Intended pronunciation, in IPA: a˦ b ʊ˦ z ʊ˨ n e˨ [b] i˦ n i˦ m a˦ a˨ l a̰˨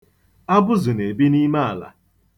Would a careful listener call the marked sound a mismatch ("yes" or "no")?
no